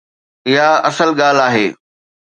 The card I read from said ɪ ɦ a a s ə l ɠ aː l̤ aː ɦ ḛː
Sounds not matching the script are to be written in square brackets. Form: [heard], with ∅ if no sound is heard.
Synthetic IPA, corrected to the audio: ɪ ɦ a [ɐ] s ə l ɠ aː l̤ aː ɦ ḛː